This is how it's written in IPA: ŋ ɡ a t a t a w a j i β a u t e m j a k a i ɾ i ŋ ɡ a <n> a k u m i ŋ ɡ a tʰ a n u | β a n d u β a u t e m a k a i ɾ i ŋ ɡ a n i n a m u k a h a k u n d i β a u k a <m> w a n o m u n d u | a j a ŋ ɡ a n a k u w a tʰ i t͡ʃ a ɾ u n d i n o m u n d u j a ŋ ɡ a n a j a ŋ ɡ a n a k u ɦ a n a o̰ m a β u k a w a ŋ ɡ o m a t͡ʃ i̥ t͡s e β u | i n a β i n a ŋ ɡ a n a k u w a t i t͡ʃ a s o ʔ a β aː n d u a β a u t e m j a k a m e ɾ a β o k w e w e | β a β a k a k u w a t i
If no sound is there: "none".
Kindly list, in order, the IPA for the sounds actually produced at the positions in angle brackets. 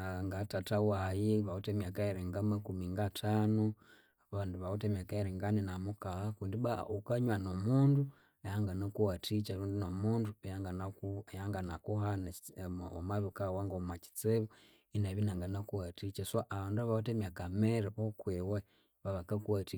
m, ɲ

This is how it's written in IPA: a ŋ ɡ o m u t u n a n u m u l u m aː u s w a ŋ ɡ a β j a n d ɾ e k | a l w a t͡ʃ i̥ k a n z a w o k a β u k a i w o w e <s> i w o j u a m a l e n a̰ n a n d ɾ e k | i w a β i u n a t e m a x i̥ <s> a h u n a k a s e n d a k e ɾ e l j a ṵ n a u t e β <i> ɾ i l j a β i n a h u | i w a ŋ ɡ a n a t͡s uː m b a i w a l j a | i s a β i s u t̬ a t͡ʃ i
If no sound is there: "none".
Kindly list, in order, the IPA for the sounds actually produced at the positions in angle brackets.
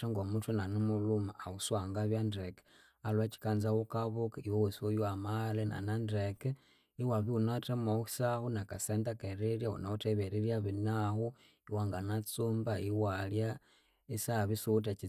s, s, e

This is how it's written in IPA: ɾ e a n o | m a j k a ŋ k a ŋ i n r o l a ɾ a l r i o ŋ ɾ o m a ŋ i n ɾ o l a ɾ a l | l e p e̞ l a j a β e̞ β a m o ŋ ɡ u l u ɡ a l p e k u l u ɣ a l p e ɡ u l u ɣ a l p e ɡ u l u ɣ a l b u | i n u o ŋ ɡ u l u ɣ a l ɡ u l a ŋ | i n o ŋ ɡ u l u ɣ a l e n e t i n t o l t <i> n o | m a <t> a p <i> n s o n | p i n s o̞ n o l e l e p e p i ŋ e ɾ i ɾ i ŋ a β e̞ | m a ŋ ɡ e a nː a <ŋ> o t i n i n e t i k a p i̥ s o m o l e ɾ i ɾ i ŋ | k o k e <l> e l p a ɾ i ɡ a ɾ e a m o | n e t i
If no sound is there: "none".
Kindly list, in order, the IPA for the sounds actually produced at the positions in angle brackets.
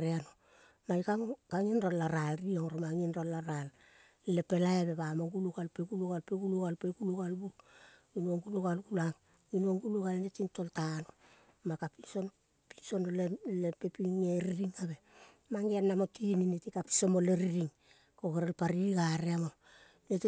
a, k, i, m, ɾ

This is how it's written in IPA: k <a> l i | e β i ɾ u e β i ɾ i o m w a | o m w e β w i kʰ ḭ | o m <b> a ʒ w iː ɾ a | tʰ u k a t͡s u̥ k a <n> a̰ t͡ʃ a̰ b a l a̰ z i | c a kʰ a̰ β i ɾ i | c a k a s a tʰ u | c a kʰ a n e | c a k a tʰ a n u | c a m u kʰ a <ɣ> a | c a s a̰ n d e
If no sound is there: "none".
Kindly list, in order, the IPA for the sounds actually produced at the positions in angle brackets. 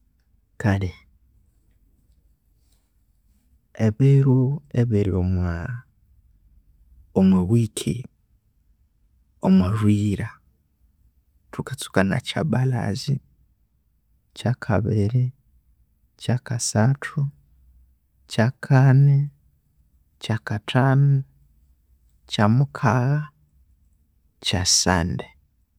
a, w, n, ɣ

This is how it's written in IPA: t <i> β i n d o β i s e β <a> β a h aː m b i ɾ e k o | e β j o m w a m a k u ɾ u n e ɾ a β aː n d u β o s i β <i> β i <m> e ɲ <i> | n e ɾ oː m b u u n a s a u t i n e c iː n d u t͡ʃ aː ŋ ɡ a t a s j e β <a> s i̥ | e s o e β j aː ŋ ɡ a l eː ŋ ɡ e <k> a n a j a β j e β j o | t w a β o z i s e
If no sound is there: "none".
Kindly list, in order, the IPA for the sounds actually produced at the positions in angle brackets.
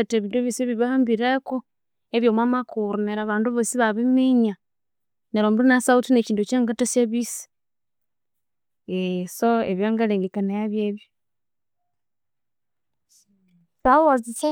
e, i, a, m, a, i, k

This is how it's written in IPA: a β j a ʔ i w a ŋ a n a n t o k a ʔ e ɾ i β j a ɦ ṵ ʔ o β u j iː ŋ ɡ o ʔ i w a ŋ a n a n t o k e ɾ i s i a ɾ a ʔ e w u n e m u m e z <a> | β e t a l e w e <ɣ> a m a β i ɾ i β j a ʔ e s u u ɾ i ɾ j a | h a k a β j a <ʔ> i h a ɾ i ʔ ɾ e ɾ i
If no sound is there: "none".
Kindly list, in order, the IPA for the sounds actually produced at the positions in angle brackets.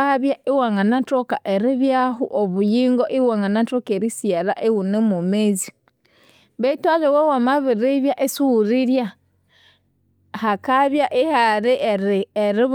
i, w, ʔ

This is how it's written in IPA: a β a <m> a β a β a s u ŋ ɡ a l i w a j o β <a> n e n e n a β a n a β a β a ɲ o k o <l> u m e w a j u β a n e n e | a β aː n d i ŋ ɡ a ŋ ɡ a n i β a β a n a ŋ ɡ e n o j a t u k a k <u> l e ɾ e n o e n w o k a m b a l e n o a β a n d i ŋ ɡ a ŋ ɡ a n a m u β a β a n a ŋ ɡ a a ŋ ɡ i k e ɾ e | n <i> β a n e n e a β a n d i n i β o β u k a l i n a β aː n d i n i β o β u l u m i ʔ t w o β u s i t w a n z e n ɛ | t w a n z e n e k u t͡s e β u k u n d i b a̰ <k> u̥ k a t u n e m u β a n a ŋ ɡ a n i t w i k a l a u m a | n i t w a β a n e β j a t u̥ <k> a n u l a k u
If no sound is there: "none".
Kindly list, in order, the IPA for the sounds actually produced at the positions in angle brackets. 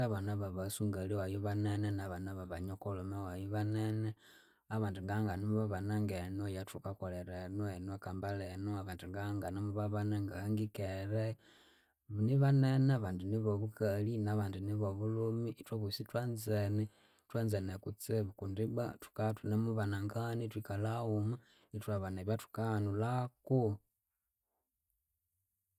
n, a, l, o, i, t, k

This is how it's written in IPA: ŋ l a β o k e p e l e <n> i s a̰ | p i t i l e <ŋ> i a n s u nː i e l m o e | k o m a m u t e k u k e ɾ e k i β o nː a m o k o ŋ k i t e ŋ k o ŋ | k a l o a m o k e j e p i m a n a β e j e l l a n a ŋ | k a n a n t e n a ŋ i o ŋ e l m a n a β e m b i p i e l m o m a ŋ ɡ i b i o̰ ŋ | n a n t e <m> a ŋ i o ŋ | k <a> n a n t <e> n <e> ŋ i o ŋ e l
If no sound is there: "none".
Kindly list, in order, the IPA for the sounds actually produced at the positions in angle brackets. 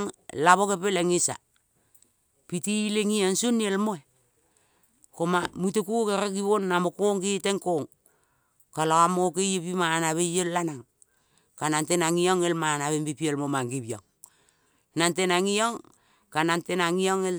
ŋ, ŋ, n, a, e, a

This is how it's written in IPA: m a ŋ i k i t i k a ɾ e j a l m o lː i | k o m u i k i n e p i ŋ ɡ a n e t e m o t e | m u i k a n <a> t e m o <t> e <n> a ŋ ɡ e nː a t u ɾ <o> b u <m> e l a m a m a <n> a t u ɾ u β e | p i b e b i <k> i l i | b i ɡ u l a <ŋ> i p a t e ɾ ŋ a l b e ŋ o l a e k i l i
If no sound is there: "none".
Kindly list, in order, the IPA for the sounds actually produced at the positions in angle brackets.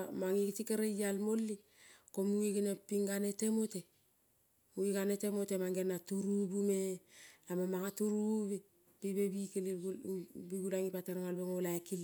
e, t, m, u, m, ŋ, k, ŋ

